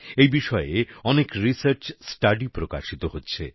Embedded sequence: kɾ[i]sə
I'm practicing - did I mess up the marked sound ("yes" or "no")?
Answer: no